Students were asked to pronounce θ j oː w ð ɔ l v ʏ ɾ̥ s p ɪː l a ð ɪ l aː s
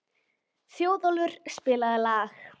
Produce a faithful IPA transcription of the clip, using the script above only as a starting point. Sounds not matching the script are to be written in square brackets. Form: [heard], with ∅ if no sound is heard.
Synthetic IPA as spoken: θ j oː w ð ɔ l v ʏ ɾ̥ s p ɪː l a ð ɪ l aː [x]